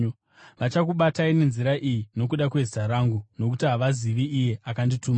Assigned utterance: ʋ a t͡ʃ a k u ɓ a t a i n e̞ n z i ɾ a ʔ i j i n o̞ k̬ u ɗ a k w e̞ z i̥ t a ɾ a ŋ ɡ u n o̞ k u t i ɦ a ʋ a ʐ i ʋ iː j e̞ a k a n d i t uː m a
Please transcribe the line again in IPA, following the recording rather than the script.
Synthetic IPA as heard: ʋ a t͡ʃ a k u ɓ a t a i n e̞ n z i ɾ a ʔ i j i n o̞ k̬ u ɗ a k w e̞ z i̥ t a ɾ a ŋ ɡ u n o̞ k u t i ɦ a ʋ a z i ʋ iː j e̞ a k a n d i t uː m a